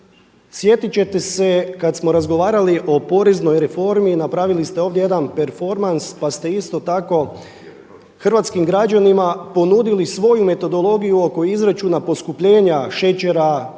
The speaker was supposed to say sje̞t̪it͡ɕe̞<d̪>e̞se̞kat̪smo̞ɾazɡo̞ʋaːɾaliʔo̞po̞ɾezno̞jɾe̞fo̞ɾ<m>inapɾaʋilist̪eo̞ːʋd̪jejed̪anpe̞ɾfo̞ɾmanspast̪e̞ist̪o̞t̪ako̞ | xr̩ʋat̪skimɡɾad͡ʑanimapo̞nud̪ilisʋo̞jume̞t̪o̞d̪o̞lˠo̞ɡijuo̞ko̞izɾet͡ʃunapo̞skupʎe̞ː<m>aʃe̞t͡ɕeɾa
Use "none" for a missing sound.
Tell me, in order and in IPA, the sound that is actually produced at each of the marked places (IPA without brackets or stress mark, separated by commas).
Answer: t̪, m, ɲ